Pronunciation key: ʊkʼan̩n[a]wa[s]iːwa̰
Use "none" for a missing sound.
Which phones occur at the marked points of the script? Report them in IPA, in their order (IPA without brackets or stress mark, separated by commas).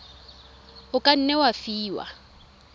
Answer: ɛ, f